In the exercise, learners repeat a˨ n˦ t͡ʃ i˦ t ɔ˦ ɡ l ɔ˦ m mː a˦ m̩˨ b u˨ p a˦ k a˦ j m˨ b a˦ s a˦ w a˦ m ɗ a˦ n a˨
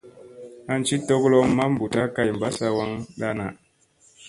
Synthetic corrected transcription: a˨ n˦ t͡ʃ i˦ t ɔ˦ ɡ l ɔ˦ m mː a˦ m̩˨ b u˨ t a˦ k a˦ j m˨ b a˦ s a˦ w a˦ ŋ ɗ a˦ n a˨